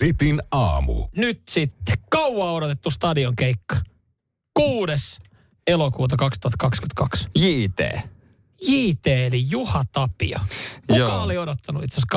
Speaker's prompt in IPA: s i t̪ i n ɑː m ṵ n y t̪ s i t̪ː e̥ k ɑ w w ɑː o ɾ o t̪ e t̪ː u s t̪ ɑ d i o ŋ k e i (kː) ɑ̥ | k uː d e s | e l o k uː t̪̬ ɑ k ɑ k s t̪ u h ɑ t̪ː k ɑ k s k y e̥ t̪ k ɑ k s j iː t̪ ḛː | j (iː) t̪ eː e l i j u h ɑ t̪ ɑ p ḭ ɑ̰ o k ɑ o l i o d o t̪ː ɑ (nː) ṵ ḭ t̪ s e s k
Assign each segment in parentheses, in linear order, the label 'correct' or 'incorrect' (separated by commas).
correct, correct, incorrect